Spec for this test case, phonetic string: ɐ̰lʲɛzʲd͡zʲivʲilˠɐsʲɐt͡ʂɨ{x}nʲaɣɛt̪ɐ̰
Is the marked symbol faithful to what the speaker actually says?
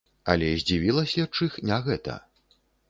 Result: yes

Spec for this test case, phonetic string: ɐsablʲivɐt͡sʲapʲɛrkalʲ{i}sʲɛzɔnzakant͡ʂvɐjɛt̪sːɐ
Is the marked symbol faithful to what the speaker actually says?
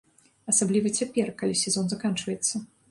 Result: yes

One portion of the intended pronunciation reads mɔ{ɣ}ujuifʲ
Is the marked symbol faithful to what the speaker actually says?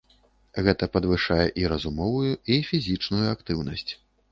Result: no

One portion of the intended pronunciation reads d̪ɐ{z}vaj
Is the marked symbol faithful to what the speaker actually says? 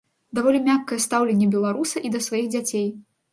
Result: no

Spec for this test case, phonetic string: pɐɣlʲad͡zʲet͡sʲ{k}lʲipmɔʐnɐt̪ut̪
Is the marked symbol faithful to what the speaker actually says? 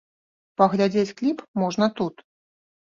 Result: yes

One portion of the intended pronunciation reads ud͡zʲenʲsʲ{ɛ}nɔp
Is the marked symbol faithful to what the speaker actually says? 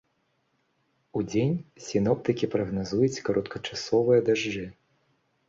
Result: no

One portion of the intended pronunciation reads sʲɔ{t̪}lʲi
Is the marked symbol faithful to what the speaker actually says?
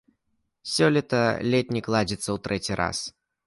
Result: no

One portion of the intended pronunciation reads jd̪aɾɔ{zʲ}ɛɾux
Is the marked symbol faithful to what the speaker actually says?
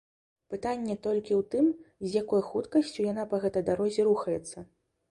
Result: yes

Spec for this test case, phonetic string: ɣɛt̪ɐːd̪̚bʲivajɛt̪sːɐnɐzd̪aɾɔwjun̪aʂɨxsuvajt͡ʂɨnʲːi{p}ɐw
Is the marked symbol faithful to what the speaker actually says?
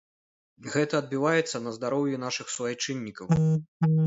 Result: no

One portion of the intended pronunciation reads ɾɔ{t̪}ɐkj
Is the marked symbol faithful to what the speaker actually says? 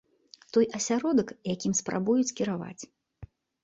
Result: no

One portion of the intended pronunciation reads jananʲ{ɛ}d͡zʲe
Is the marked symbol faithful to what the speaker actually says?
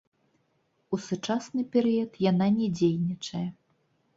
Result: yes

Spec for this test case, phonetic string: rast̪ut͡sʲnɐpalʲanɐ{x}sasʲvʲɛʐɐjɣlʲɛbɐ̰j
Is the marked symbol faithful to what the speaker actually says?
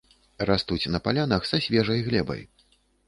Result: yes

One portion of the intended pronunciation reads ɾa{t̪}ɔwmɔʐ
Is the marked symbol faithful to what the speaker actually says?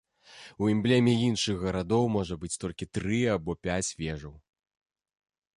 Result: no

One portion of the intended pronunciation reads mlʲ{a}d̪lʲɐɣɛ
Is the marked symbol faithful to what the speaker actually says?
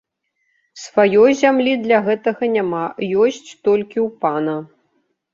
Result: no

